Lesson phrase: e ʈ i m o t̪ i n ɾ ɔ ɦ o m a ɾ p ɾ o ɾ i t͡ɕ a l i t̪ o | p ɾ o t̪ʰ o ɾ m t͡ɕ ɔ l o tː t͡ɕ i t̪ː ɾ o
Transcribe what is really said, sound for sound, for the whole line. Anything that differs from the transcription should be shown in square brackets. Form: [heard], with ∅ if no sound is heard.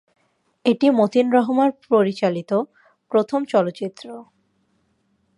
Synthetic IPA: e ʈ i m o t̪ i n ɾ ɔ ɦ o m a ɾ p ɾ o ɾ i t͡ɕ a l i t̪ o | p ɾ o t̪ʰ o [∅] m t͡ɕ ɔ l o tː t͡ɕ i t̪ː ɾ o

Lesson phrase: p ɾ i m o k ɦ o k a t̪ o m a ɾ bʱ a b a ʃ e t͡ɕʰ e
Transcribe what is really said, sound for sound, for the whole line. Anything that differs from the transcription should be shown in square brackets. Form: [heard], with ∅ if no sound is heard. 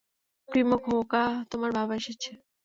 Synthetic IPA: p ɾ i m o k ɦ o k a t̪ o m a ɾ bʱ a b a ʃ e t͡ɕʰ e

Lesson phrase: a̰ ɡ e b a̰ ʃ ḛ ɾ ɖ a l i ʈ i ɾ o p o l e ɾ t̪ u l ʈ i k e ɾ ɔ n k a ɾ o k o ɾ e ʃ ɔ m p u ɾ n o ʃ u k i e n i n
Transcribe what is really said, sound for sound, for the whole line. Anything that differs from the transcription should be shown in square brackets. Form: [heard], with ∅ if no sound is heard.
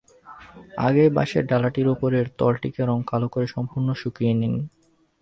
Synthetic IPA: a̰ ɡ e b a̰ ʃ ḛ ɾ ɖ a l [a] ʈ i ɾ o p o [ɾ] e ɾ t̪ [ɔ] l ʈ i k e ɾ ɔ [ŋ] k a [l] o k o ɾ e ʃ ɔ m p u ɾ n o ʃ u k i e n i n

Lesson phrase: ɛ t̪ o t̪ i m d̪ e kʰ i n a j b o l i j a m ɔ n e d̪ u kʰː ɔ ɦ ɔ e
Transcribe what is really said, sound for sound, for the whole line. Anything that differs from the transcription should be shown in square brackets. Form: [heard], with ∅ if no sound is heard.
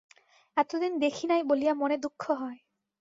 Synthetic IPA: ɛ t̪ o [d̪] i [n] d̪ e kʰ i n a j b o l i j a m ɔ n e d̪ u kʰː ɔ ɦ ɔ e

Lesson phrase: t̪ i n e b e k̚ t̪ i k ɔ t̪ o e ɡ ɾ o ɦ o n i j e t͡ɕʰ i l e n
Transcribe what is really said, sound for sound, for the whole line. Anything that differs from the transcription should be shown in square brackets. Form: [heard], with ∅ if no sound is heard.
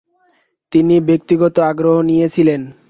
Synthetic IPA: t̪ i n [i] b e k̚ t̪ i [ɡ] ɔ t̪ o [a] ɡ ɾ o ɦ o n i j e t͡ɕʰ i l e n

